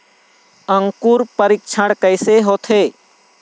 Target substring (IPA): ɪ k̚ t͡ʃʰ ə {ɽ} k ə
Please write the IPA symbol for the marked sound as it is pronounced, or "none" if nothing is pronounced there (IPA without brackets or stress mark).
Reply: ɽ